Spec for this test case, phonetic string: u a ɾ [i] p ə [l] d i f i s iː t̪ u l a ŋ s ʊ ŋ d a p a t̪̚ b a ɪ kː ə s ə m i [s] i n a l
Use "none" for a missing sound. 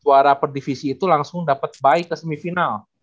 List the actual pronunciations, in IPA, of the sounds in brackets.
a, r, f

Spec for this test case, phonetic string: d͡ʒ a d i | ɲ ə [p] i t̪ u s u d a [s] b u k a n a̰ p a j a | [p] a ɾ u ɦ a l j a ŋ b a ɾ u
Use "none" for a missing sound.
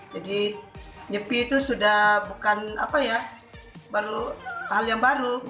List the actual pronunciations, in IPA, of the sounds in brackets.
p, h, b

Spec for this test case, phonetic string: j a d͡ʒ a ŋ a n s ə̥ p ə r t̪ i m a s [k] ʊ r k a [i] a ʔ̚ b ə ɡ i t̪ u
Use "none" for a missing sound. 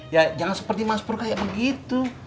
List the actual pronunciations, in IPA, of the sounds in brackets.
p, j

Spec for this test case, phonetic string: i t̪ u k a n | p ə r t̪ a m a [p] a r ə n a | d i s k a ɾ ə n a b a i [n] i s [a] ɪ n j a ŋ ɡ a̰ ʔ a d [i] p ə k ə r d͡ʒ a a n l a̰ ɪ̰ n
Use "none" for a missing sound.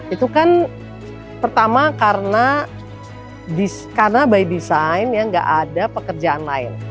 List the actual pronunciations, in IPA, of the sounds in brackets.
k, d, a, a

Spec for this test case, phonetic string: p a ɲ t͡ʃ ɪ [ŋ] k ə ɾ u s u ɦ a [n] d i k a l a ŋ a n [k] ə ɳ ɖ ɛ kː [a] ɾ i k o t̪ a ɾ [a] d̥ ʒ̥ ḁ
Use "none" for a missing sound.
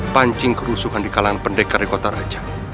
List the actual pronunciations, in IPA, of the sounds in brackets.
ŋ, n, p, a, a

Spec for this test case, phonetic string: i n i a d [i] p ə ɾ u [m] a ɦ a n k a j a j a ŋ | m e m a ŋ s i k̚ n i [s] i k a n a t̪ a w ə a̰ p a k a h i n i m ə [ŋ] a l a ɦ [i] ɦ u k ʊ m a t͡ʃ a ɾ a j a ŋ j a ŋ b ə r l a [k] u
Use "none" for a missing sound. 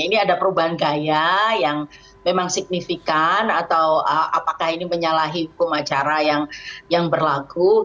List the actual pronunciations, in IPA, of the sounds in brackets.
a, b, f, ɲ, i, ɡ

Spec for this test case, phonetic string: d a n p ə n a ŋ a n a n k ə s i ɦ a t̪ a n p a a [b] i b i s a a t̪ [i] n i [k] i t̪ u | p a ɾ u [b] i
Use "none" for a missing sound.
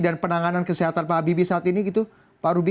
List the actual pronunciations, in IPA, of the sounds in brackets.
b, i, ɡ, b

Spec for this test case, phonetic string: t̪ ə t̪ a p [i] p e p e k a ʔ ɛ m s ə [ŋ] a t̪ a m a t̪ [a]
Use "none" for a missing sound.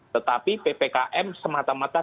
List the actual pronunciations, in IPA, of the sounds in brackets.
i, m, a

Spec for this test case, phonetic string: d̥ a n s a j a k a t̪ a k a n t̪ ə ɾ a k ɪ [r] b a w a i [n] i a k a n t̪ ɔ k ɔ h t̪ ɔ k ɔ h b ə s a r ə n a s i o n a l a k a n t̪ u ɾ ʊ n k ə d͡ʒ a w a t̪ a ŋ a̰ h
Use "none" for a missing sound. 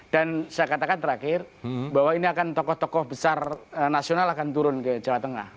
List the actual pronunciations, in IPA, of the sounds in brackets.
r, n

